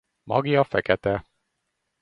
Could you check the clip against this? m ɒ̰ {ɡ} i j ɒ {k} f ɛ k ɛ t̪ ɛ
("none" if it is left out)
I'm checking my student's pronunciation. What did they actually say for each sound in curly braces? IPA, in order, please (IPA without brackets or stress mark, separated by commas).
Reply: ɡ, none